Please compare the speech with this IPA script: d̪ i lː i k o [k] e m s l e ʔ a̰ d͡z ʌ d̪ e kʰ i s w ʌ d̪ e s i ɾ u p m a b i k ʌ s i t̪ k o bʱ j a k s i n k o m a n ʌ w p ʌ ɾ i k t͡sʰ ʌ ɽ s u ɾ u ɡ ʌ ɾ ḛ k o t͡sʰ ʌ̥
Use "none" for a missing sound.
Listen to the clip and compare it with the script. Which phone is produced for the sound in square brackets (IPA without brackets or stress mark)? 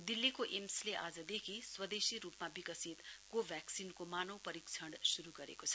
ʔ